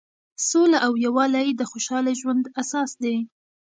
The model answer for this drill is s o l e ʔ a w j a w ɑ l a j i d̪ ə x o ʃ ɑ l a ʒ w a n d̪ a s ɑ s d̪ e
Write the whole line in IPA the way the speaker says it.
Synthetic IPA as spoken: s o l a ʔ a w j a w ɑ l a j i d̪ ə x o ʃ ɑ l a ʒ w a n d̪ a s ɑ s d̪ e